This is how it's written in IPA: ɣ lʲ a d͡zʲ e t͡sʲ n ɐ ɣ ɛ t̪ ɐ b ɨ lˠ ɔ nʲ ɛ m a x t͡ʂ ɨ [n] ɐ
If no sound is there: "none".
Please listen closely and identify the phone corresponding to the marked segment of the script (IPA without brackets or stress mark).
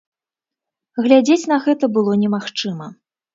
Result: m